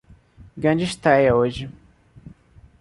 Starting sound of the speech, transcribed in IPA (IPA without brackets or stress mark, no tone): ɡ